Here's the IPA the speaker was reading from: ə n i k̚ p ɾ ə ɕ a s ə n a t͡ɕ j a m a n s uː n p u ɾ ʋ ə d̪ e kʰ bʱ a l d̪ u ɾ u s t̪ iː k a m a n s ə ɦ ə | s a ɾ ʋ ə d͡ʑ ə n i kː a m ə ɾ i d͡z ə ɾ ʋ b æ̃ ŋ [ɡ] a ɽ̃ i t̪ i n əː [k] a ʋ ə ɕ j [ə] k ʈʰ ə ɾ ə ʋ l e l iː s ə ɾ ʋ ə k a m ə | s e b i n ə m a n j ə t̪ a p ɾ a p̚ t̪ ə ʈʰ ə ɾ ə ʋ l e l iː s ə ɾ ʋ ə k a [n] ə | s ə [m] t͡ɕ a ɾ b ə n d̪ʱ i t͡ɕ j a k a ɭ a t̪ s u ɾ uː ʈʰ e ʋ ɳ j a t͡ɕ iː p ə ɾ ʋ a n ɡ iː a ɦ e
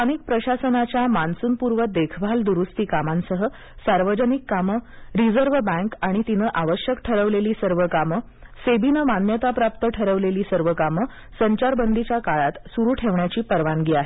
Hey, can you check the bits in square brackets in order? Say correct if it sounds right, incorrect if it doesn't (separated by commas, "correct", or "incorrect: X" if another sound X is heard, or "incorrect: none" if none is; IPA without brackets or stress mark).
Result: incorrect: k, incorrect: ʔ, correct, incorrect: m, incorrect: ɲ